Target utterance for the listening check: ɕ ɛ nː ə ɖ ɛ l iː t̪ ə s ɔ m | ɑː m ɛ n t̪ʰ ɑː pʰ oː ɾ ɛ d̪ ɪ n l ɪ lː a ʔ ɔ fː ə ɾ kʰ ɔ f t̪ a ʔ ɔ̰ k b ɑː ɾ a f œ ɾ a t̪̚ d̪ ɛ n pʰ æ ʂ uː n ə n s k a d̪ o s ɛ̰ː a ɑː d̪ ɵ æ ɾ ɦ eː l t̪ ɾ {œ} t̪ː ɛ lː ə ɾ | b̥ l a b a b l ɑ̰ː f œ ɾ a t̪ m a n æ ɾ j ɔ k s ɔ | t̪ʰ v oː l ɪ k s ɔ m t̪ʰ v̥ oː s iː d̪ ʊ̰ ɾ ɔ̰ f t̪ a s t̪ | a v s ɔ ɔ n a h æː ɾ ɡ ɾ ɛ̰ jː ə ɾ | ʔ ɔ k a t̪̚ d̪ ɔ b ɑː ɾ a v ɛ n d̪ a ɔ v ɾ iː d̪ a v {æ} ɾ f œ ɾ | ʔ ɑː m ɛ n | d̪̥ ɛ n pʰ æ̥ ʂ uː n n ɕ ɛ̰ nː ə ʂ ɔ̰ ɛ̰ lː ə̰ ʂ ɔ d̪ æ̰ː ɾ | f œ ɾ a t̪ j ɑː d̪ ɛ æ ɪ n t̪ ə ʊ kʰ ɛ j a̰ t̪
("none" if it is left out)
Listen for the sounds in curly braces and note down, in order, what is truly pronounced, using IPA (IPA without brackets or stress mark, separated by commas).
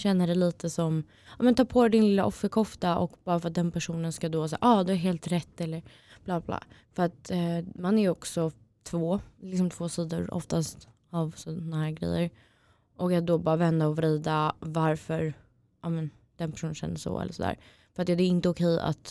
ɛ, a